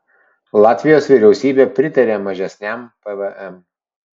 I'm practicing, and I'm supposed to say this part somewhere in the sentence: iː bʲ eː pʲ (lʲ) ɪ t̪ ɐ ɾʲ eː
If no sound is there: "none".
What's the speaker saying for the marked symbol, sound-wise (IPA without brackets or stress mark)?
ɾʲ